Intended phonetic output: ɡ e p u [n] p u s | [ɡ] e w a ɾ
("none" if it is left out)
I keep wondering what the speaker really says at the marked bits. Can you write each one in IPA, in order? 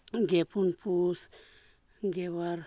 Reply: n, ɡ

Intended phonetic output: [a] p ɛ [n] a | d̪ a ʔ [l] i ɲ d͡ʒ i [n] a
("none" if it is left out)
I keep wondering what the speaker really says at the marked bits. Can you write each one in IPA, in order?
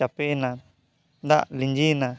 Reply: a, n, l, n

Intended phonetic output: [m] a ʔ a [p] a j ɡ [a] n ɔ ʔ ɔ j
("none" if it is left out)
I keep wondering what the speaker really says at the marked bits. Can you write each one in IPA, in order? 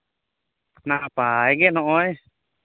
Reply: n, p, ɛ

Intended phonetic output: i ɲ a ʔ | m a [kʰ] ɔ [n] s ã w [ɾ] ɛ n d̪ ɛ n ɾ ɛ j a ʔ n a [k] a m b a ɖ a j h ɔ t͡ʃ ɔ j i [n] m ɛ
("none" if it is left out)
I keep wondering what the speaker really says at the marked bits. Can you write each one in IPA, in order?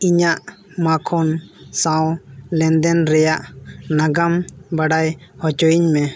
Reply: kʰ, n, l, ɡ, ɲ

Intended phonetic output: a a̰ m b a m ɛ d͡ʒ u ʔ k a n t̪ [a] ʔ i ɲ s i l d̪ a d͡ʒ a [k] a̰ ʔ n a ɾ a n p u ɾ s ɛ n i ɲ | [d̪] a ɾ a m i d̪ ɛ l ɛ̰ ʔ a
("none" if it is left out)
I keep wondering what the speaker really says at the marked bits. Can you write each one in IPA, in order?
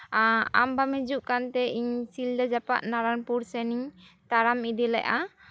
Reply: ɛ, p, t̪

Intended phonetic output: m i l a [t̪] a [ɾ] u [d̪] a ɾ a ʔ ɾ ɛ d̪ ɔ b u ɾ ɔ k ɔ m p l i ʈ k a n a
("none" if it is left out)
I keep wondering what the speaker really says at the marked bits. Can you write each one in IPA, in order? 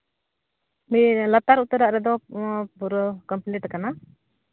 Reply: t̪, ɾ, t̪

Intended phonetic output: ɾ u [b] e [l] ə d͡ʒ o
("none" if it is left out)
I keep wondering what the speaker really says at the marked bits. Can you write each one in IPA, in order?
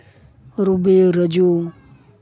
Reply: b, ɾ

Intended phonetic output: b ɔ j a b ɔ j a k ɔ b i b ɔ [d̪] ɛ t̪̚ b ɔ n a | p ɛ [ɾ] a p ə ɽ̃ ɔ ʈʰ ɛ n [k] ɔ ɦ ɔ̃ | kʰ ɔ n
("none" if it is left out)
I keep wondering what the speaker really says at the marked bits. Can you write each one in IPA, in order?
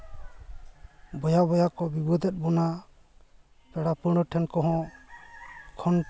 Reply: d̪, ɽ, k

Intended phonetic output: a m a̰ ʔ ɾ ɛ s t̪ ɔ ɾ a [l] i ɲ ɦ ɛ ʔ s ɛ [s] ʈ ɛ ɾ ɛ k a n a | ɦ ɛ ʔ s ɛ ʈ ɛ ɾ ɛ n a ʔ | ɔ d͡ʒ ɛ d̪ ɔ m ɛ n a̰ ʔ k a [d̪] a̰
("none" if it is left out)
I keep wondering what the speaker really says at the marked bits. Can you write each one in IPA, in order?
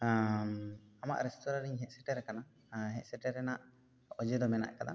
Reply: ɾ, none, d̪

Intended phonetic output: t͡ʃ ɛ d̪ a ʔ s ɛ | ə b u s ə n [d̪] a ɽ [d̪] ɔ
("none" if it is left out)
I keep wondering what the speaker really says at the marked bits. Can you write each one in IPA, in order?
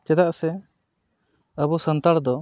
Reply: t̪, d̪

